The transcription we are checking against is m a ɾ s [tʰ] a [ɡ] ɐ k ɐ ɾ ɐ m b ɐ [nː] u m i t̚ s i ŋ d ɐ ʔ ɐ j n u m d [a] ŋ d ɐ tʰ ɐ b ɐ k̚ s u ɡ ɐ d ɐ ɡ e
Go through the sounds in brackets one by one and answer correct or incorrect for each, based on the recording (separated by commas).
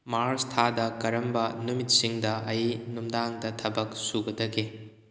correct, incorrect, incorrect, correct